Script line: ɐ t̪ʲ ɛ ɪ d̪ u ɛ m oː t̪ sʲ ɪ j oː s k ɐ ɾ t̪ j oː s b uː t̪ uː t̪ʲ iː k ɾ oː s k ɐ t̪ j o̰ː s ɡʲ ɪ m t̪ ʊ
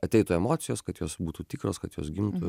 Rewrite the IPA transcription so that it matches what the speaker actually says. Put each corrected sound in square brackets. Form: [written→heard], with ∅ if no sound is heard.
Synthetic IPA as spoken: ɐ t̪ʲ ɛ ɪ [d̪→t̪] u ɛ m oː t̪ sʲ ɪ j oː s k ɐ [ɾ→∅] t̪ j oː s b uː t̪ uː t̪ʲ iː k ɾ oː s k ɐ t̪ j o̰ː s ɡʲ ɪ m t̪ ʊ